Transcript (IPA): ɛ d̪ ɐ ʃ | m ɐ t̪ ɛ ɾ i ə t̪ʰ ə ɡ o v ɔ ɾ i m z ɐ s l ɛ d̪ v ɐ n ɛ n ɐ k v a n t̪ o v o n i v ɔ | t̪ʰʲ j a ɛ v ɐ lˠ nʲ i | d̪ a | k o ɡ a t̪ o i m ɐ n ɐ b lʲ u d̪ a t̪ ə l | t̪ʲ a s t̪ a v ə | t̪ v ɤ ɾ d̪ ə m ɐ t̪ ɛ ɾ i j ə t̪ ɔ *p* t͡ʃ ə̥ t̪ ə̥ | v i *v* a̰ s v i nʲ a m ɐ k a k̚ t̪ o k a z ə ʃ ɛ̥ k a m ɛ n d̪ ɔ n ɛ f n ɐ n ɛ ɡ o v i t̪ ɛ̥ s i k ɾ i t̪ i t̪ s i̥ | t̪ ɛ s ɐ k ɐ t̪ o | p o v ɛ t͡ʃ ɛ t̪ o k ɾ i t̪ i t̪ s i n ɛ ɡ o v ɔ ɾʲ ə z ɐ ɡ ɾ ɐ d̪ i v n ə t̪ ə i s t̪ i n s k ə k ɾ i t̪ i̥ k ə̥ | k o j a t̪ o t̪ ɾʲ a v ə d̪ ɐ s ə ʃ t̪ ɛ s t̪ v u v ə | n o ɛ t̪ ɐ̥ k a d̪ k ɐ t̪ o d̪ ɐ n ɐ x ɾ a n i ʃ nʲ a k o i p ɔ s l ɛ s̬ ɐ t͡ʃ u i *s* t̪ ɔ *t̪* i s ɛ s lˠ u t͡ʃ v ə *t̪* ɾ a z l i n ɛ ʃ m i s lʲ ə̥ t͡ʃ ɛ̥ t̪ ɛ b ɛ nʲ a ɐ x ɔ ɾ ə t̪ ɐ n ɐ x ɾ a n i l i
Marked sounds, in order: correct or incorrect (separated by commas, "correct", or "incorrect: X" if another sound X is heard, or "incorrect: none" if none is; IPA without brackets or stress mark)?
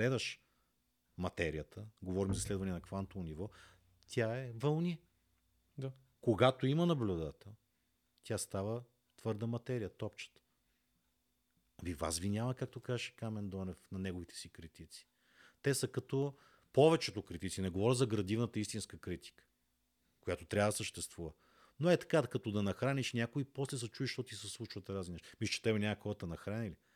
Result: correct, correct, incorrect: ʃ, correct, correct